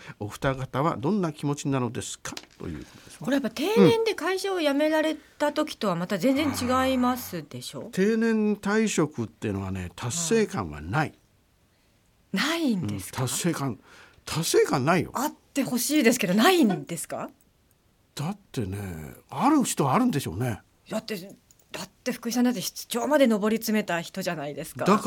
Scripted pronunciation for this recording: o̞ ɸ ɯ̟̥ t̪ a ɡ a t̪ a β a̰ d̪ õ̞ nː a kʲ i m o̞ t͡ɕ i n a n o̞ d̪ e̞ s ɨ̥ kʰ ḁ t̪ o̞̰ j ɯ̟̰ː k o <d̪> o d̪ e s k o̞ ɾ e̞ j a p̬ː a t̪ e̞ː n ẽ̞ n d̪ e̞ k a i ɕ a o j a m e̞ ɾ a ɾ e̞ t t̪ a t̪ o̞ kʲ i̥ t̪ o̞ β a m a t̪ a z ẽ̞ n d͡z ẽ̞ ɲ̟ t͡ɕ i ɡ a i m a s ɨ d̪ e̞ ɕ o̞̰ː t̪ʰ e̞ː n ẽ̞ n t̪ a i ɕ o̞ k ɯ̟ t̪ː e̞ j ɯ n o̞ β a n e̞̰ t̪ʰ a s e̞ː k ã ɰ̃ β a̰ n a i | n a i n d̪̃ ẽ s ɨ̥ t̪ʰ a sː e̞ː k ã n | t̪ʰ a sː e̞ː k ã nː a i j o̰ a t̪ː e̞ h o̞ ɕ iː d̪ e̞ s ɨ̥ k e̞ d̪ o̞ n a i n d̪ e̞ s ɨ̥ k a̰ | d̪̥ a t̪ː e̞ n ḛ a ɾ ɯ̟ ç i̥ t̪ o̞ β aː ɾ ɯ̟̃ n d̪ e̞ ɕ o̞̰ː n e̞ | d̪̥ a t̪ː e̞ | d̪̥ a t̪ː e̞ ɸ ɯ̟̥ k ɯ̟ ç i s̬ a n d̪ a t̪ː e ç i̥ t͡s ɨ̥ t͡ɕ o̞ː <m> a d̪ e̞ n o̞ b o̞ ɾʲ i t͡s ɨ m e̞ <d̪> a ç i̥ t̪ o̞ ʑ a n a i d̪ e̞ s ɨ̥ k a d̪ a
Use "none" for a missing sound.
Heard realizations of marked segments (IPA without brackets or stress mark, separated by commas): t̪, m, t̪